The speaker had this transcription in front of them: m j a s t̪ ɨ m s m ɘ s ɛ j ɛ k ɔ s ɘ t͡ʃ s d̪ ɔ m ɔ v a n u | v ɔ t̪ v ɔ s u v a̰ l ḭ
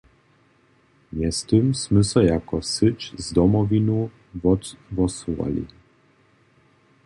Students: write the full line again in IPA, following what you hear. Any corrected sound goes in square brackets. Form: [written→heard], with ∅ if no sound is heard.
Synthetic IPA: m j [a→ɛ] s t̪ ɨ m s m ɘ s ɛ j [ɛ→a] k ɔ s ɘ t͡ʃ [s→z] d̪ ɔ m ɔ v [a→i] n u | v ɔ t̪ v ɔ s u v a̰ l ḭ